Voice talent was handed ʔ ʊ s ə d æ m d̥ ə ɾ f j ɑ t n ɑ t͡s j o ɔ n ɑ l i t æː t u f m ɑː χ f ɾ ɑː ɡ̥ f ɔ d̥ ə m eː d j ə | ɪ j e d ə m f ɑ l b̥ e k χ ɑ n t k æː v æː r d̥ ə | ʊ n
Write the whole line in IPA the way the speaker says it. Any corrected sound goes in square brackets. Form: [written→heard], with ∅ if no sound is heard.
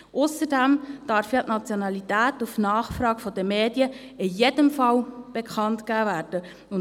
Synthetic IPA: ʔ ʊ s ə d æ m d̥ [ə→ɑ] ɾ f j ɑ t n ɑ t͡s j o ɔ n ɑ l i t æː t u f [m→n] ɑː χ f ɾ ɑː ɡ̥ f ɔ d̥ ə m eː d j ə | ɪ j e d ə m f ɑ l b̥ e k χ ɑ n t k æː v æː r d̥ ə | ʊ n

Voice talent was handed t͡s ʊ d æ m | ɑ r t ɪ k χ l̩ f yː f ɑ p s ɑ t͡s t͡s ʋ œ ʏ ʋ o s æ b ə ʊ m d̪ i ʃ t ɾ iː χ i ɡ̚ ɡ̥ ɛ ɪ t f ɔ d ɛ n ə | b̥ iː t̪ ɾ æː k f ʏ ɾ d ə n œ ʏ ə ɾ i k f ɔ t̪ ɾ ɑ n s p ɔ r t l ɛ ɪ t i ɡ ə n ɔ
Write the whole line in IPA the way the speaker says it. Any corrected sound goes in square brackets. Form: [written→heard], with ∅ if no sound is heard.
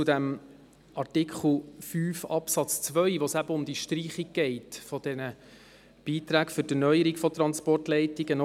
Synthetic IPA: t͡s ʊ d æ m | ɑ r t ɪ k χ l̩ f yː f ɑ p s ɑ t͡s t͡s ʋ œ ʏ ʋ o s æ b ə ʊ m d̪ i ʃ t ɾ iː χ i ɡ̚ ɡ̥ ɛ ɪ t f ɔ d ɛ n ə | b̥ iː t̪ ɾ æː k f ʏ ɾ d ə n œ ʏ ə ɾ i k f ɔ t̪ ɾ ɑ n s p ɔ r t l ɛ ɪ t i ɡ ə n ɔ

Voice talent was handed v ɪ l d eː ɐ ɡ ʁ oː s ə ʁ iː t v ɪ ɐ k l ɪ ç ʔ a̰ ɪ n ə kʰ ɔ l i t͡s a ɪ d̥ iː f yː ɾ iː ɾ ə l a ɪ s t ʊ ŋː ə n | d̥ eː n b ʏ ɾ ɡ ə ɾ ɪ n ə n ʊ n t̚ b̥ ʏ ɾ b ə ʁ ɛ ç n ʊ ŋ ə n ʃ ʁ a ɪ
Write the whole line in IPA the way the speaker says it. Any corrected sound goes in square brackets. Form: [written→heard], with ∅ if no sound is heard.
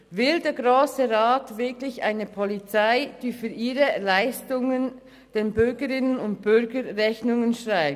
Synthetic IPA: v ɪ l d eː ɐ ɡ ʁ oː s ə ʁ [iː→aː] t v ɪ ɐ k l ɪ ç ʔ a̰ ɪ n ə [kʰ→pʰ] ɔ l i t͡s a ɪ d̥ iː f yː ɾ iː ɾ ə l a ɪ s t ʊ [ŋː→ŋ] ə n | d̥ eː n b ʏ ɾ ɡ ə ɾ ɪ n ə n ʊ n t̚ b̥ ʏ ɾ [b→ɡ] ə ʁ ɛ ç n ʊ ŋ ə n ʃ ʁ a ɪ

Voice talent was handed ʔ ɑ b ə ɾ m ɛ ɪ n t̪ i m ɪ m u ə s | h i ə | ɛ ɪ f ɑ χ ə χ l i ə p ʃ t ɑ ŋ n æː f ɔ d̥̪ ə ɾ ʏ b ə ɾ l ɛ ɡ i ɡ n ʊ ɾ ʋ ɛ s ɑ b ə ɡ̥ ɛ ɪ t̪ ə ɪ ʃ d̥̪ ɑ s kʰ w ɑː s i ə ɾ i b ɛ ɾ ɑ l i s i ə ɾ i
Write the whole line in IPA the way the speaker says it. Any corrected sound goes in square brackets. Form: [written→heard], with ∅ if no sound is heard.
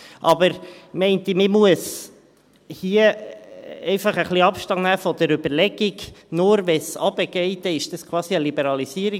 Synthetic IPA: ʔ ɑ b ə ɾ m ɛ ɪ n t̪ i m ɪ m u ə s | h i ə | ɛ ɪ f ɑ χ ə χ l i [ə→ɑ] p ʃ t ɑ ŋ n æː f ɔ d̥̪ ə ɾ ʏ b ə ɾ l ɛ ɡ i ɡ n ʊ ɾ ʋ ɛ s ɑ b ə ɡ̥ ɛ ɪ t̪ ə ɪ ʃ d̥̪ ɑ s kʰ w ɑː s i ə [ɾ→l] i b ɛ ɾ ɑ l i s i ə ɾ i

